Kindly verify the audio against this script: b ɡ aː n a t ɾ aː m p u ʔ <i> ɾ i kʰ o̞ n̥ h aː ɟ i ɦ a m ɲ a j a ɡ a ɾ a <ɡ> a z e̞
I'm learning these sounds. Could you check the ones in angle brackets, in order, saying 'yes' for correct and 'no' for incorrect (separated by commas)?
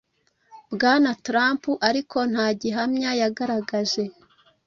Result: no, yes